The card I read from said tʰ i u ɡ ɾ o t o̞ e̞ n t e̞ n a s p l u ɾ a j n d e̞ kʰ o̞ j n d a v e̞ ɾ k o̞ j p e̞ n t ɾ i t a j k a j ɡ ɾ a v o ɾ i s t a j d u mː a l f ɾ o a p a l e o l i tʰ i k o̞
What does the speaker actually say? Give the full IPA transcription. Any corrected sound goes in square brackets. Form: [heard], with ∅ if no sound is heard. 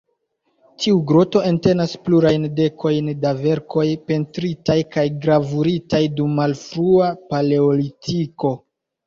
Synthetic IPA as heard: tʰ i u ɡ ɾ o t o̞ e̞ n t e̞ n a s p l u ɾ a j n d e̞ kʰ o̞ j n d a v e̞ ɾ k o̞ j p e̞ n t ɾ i t a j k a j ɡ ɾ a v [u] ɾ i [∅] t a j d u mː a l f ɾ [u] a p a l e o l i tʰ i k o̞